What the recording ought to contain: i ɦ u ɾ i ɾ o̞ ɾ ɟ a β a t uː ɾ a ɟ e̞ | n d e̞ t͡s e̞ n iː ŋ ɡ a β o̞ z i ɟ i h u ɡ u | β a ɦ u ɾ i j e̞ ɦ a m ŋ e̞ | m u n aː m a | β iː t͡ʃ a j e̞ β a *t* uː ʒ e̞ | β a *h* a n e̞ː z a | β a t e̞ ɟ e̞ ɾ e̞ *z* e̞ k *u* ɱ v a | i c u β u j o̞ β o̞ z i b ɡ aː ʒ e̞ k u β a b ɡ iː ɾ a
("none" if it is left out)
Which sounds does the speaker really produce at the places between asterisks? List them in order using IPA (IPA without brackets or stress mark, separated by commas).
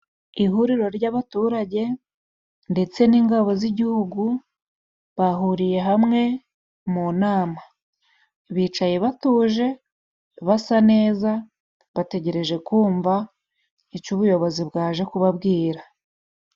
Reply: t, s, ʒ, uː